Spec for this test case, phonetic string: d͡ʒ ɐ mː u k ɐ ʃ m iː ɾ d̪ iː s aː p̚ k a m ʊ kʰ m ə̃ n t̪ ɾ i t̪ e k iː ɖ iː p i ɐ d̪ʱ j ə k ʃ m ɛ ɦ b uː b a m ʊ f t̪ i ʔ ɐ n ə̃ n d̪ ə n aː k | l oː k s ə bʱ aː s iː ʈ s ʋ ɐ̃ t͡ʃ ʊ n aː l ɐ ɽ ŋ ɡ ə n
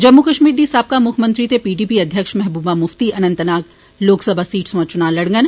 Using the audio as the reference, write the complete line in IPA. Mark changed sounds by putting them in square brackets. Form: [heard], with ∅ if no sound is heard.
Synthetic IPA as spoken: d͡ʒ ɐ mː u k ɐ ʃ m iː ɾ d̪ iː s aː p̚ k a m ʊ kʰ m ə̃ n t̪ ɾ i t̪ e [p] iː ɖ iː p i ɐ d̪ʱ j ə k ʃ m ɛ ɦ b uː b a m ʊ f t̪ i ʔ ɐ n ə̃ n [t̪] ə n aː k | l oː k s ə bʱ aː s iː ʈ s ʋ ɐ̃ t͡ʃ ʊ n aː l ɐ ɽ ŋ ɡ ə n